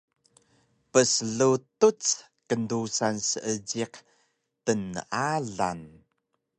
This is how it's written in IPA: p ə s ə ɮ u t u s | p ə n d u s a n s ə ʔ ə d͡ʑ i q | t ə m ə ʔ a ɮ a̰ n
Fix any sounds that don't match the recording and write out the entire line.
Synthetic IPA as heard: p ə s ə ɮ u t u t͡s | k ə n d u s a n s ə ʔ ə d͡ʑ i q | t ə n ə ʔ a ɮ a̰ n